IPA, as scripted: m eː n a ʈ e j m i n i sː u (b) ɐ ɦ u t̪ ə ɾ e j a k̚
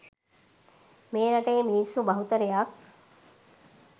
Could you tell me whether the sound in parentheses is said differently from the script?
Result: no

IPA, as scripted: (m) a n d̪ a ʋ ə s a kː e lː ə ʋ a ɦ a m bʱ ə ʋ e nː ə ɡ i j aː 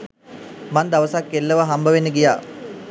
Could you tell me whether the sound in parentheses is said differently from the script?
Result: no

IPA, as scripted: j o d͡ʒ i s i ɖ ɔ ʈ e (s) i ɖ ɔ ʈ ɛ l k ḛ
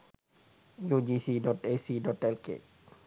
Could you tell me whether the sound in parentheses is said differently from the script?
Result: no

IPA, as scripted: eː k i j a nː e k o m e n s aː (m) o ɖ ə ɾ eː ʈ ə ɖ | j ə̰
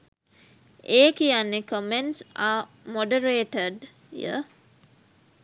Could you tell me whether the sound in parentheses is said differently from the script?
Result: no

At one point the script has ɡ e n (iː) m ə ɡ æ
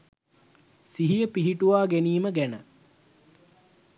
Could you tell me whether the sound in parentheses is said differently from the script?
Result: no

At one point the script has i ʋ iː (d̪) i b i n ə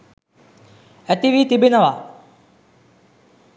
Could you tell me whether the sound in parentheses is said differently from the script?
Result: yes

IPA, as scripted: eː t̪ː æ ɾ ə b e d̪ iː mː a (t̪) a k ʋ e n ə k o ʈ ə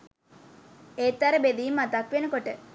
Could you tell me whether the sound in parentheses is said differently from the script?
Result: no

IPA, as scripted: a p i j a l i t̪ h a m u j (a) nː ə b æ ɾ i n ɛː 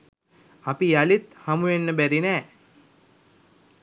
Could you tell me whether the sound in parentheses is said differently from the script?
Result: yes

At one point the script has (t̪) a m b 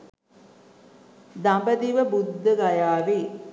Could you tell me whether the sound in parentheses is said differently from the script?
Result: yes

